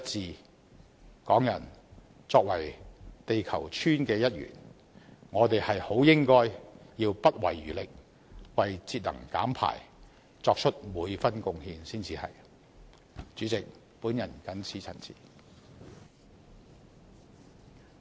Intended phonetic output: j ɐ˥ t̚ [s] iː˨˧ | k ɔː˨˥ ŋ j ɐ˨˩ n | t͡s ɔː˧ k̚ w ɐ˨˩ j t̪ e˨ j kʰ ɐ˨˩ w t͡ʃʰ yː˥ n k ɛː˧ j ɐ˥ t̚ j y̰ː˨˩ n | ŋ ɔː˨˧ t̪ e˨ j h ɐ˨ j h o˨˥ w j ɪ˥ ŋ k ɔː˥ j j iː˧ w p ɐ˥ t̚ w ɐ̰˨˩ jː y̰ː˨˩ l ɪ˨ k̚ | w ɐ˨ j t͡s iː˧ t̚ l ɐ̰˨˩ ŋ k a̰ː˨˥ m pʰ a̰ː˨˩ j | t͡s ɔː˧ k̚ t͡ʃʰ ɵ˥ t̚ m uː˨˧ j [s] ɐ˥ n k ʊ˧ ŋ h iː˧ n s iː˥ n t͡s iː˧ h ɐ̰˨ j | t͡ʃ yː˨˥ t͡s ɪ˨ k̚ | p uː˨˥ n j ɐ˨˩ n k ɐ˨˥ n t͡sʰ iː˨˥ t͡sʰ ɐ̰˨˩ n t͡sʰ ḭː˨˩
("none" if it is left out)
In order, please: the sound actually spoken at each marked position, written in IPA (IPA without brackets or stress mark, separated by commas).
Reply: t͡s, f